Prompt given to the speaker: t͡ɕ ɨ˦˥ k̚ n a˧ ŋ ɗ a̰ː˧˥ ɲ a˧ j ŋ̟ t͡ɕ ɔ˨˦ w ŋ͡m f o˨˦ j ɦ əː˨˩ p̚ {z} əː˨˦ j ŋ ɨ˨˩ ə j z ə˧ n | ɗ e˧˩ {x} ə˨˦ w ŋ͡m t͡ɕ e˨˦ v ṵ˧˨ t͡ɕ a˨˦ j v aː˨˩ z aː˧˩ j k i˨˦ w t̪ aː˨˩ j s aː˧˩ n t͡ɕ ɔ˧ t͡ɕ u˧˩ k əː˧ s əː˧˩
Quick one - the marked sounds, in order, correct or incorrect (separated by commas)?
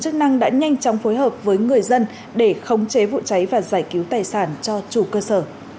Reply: incorrect, correct